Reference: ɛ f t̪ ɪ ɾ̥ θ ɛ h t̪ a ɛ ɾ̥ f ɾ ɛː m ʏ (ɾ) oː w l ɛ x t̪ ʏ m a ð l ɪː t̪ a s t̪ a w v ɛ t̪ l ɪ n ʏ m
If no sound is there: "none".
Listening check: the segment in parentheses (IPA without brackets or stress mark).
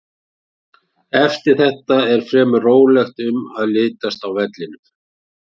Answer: r